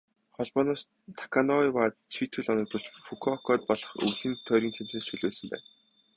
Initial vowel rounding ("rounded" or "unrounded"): rounded